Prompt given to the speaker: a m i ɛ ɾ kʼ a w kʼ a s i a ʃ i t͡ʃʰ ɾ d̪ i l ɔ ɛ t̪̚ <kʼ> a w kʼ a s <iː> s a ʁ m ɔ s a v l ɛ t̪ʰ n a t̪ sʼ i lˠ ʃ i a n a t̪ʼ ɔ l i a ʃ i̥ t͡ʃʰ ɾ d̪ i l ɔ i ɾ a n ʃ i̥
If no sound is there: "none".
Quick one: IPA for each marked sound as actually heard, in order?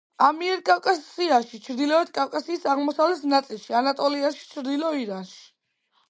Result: kʼ, iː

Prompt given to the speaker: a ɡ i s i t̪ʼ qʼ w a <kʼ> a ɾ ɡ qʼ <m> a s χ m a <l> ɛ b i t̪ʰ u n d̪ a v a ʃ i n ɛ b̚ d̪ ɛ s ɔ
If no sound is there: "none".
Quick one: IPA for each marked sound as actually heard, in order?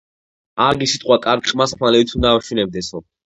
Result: kʼ, m, l

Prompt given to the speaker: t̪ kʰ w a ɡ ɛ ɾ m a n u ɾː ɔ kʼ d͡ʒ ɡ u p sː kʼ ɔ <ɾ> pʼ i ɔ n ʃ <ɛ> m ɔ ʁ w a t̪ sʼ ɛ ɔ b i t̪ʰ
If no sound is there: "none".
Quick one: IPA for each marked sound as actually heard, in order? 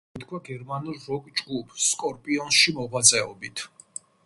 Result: ɾ, i

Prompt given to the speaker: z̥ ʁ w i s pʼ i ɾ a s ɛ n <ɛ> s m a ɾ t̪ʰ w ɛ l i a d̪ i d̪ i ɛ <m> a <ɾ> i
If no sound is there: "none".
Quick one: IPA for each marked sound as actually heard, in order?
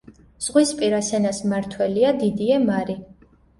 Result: a, m, ɾ

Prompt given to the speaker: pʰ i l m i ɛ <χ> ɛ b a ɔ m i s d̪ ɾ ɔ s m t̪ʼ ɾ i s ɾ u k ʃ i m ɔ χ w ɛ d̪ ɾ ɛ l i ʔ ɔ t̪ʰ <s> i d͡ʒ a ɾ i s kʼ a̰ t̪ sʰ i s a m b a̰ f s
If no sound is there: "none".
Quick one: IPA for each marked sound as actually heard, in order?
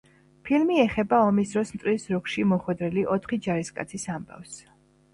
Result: χ, χ

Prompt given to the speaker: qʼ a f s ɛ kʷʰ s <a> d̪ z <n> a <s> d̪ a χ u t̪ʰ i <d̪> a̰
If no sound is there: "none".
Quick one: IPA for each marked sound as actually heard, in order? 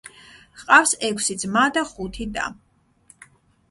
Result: i, m, none, d̪

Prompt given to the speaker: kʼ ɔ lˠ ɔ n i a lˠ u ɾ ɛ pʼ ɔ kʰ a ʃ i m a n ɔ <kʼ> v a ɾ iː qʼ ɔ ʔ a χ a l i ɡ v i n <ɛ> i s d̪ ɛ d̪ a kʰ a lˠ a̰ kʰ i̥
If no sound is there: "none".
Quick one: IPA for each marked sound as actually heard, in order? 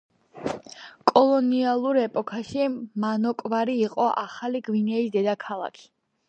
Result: kʼ, ɛ

